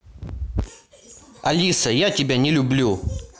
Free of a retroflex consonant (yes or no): yes